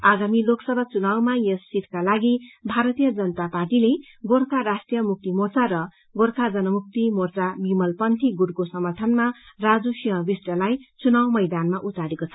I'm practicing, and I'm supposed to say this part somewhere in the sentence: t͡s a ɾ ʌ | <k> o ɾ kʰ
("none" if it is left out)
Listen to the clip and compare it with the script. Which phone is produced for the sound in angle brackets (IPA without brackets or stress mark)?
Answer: ɡ